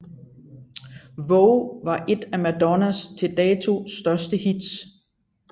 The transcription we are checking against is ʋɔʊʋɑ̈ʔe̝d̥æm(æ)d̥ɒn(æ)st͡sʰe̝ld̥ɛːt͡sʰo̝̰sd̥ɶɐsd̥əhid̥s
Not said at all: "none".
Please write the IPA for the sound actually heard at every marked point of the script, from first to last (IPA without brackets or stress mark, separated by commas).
æ, æ